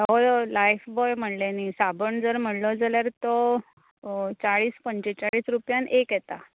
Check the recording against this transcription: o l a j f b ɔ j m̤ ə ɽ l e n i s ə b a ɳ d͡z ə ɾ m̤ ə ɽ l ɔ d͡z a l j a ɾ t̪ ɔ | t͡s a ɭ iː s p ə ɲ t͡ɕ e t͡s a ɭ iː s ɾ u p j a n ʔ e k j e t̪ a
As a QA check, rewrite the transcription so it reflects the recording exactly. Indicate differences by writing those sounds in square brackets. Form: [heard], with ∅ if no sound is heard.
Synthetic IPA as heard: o l a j f b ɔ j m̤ ə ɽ l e n i s [a] b [ə] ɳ d͡z ə ɾ m̤ ə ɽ l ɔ d͡z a l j a ɾ t̪ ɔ | t͡s a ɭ iː s p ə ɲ t͡ɕ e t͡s a ɭ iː s ɾ u p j a n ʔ e k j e t̪ a